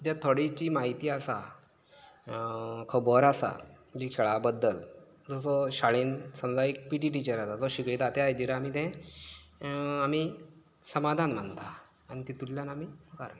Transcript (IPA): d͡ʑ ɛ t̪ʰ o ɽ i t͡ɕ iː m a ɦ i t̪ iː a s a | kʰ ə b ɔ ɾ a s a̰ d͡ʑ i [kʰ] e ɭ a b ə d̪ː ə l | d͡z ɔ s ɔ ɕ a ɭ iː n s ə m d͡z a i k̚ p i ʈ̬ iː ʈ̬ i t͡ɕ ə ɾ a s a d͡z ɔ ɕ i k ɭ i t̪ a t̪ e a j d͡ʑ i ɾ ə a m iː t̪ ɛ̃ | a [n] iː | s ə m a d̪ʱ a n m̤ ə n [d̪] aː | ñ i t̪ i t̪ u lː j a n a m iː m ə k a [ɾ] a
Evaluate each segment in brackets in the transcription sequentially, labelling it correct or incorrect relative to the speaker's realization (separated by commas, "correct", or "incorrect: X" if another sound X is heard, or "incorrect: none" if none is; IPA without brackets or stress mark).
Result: correct, incorrect: m, incorrect: t̪, correct